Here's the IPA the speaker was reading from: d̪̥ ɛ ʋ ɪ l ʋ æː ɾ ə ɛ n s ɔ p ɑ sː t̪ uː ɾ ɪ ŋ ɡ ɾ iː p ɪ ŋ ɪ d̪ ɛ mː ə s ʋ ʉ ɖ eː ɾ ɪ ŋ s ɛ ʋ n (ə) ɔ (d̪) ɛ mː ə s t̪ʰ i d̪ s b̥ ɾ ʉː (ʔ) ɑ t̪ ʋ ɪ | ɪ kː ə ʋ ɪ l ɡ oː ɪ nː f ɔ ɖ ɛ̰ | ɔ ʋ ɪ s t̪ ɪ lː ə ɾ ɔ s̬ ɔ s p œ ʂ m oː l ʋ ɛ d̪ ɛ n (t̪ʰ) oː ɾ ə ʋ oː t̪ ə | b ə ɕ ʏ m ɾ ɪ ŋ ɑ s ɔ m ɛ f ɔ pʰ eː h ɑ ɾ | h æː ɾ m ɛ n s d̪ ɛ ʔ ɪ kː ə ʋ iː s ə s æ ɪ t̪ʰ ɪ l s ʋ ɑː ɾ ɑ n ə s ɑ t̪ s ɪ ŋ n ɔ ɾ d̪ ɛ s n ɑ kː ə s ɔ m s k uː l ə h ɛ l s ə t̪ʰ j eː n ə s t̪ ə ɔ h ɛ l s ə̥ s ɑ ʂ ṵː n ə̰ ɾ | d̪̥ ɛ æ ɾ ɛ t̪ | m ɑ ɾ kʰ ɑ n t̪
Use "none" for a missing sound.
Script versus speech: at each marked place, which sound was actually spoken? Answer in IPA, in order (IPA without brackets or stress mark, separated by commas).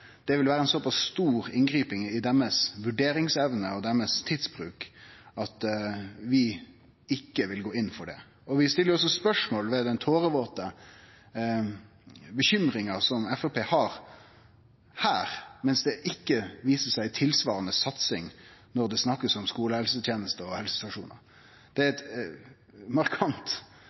ə, d̪, k, t̪ʰ